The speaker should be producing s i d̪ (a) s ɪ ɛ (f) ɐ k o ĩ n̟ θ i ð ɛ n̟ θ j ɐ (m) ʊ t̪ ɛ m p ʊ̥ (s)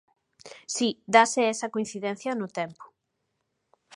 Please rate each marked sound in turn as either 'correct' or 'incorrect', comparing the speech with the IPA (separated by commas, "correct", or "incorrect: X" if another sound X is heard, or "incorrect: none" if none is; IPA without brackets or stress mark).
correct, incorrect: s, incorrect: n, incorrect: none